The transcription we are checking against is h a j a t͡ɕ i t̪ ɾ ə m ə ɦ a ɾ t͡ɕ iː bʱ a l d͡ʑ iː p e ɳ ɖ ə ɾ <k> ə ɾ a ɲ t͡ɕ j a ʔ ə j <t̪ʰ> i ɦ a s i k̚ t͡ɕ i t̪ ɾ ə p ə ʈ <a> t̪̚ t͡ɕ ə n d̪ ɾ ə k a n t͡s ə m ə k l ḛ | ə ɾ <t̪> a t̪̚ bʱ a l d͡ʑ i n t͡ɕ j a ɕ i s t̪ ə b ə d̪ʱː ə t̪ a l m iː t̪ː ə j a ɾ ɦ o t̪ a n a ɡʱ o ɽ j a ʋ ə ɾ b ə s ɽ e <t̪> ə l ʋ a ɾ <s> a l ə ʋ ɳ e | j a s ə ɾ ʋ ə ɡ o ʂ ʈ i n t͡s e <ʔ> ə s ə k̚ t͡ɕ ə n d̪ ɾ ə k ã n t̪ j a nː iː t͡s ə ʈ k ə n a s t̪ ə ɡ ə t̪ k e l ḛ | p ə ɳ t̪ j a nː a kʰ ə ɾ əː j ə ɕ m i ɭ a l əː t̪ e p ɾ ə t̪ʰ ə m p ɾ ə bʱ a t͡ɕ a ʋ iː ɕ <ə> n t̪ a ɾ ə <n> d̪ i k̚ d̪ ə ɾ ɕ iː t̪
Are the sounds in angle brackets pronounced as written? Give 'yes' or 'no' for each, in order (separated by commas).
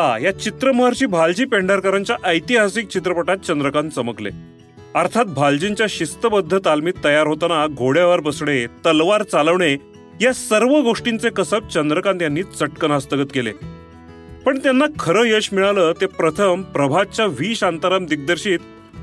yes, no, yes, no, yes, no, no, no, no